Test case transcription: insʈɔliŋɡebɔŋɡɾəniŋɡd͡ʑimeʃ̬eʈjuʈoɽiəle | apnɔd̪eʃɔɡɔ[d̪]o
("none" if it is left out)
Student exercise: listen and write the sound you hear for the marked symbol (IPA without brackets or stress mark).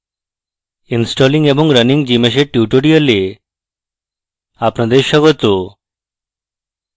t̪